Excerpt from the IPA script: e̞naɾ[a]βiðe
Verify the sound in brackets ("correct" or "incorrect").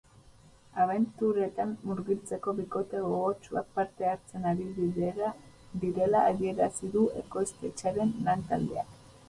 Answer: incorrect